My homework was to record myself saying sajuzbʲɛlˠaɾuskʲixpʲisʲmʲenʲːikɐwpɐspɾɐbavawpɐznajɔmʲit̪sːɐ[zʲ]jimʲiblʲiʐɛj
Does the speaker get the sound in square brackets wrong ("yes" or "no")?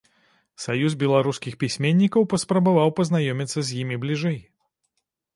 no